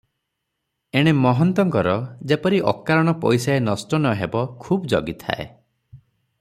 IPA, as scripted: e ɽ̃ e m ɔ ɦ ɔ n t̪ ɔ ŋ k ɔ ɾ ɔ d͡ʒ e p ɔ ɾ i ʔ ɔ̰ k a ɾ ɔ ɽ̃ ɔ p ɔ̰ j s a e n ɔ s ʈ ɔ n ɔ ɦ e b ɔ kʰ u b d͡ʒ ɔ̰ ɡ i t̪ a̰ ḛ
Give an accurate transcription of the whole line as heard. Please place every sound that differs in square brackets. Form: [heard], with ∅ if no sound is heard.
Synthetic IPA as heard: e ɽ̃ e m ɔ ɦ ɔ n t̪ ɔ ŋ k ɔ ɾ ɔ d͡ʒ e p ɔ ɾ i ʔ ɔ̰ k a ɾ ɔ ɽ̃ ɔ p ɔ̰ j s a e n ɔ s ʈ ɔ n ɔ ɦ e b ɔ kʰ u b d͡ʒ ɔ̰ ɡ i [t̪ʰ] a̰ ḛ